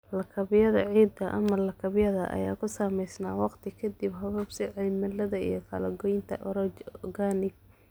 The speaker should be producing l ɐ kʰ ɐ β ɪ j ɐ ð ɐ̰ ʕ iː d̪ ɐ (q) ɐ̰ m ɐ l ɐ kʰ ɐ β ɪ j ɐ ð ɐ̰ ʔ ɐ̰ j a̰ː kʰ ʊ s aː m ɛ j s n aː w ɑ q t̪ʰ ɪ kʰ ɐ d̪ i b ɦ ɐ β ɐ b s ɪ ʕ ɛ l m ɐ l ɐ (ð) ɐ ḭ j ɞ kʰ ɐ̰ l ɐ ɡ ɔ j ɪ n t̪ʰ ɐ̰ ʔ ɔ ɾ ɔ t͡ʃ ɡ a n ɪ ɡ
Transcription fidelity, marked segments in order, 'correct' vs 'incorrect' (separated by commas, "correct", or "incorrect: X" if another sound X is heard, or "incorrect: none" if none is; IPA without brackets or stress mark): incorrect: ʔ, correct